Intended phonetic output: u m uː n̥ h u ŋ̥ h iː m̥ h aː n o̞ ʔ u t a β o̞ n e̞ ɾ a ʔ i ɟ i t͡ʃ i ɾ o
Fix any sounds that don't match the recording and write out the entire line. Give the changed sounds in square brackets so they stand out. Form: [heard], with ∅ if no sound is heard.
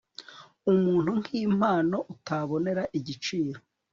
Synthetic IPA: u m uː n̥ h u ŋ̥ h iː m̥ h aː n o̞ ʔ u t a β o̞ n e̞ ɾ a ʔ i ɟ i t͡ʃ [iː] ɾ o